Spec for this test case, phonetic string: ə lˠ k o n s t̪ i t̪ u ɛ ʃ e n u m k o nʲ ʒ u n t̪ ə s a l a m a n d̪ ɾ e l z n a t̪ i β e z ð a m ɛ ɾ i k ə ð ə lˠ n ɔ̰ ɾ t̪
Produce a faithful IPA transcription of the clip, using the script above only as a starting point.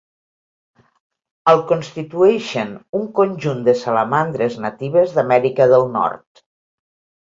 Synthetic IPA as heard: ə lˠ k o n s t̪ i t̪ u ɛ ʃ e n u ŋ k o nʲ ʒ u n d̪ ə s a l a m a n d̪ ɾ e z n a t̪ i β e z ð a m ɛ ɾ i k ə ð ə lˠ n ɔ̰ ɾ t̪